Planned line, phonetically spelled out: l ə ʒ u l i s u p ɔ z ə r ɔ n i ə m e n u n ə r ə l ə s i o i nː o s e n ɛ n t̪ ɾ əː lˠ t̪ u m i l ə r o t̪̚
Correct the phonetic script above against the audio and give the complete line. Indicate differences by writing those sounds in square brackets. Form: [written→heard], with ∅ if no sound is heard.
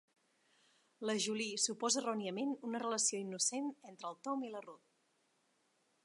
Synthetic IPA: l ə ʒ u l i s u p ɔ z ə r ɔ n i ə m e n u n ə r ə l ə s i o i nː [o→u] s e n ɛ n t̪ ɾ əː lˠ t̪ [u→ɔ] m i l ə r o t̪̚